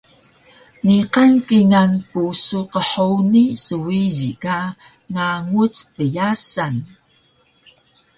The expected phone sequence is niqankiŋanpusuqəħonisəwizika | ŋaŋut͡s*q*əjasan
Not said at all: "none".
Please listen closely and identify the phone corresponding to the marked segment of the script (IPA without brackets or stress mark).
p